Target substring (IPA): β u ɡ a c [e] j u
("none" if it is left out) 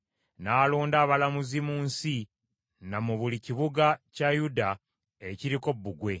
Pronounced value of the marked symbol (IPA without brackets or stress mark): a